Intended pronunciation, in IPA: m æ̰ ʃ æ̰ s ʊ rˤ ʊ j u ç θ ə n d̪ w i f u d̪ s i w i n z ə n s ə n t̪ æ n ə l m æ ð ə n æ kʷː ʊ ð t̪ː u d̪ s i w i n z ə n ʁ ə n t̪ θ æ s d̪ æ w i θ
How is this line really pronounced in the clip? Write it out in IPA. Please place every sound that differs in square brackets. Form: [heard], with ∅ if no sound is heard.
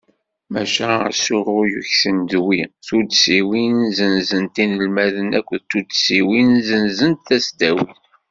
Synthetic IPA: m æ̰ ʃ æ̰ s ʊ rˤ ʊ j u ç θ ə n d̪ w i [θ] u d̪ s i w i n z ə n [z] ə n t̪ [i] n ə l m æ ð ə n æ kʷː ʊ ð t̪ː u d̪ s i w i n z ə n [z] ə n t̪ θ æ s d̪ æ w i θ